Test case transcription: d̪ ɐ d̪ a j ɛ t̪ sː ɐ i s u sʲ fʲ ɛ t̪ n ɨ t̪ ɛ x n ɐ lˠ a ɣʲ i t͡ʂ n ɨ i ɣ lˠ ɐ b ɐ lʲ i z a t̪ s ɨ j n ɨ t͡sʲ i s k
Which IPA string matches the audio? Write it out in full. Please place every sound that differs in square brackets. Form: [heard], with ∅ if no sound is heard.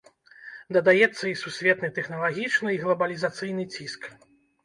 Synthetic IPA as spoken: d̪ ɐ d̪ a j ɛ t̪ sː ɐ i s u sʲ [vʲ] ɛ t̪ n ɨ t̪ ɛ x n ɐ lˠ a ɣʲ i t͡ʂ n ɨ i ɣ lˠ ɐ b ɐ lʲ i z a t̪ s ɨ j n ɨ t͡sʲ i s k